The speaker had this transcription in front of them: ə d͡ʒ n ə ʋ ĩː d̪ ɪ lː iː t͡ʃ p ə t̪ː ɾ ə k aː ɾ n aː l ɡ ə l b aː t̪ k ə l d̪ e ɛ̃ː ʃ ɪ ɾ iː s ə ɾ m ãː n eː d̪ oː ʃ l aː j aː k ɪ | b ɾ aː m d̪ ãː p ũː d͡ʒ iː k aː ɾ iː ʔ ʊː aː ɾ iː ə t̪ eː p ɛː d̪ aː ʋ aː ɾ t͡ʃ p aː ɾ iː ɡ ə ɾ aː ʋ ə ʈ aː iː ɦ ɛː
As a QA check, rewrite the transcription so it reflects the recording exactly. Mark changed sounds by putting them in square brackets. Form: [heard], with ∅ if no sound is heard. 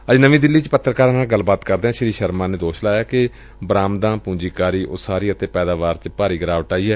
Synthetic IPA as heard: ə d͡ʒ n ə ʋ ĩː d̪ ɪ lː iː t͡ʃ p ə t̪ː ɾ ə k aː ɾ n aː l ɡ ə l b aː t̪ k ə [ɾ] d̪ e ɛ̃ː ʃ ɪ ɾ iː [ʃ] ə ɾ m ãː n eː d̪ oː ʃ l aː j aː k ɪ | b ɾ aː m d̪ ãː p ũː d͡ʒ iː k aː ɾ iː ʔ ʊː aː ɾ iː ə t̪ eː p ɛː d̪ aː ʋ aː ɾ t͡ʃ p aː ɾ iː ɡ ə ɾ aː ʋ ə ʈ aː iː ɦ ɛː